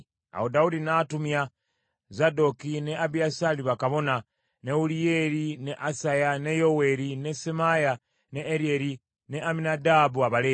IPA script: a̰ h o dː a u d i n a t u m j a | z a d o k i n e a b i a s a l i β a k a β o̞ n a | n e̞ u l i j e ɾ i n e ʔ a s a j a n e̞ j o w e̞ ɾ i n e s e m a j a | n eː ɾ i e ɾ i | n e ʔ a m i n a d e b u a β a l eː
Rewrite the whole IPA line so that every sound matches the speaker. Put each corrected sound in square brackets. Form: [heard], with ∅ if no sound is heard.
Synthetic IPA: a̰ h o [d] a u d i n a t u m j a | z a d o k i n e a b i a s a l i β a k a β o̞ n a | n e̞ u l i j e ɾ i n e ʔ a s a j a n e̞ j o w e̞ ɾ i n e s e m a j a | n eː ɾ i e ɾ i | n e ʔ a m i n a d [a] b u a β a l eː